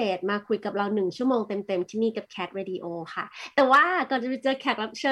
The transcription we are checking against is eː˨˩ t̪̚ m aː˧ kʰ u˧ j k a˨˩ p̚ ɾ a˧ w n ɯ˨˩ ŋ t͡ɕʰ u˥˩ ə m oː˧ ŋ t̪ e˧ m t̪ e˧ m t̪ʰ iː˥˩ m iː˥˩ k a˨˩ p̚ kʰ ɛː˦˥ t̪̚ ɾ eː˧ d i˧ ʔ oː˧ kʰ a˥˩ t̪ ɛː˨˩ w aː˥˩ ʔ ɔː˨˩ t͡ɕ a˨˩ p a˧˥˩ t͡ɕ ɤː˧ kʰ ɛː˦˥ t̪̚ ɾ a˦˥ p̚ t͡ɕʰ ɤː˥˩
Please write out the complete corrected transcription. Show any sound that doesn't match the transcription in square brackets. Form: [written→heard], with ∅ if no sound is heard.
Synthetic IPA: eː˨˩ t̪̚ m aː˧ kʰ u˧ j k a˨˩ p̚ ɾ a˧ w n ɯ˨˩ ŋ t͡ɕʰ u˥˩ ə m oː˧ ŋ t̪ e˧ m t̪ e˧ m t̪ʰ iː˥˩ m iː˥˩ k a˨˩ p̚ kʰ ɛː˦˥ t̪̚ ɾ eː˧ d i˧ ʔ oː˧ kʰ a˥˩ t̪ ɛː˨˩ w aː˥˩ [ʔ→k] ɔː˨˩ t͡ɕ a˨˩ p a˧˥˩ t͡ɕ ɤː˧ kʰ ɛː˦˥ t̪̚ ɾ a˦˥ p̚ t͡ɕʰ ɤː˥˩